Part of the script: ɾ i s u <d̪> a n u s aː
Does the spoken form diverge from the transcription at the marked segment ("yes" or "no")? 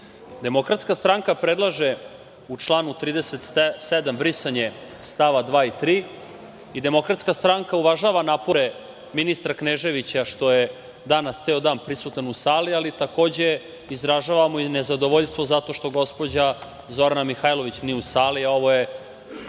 yes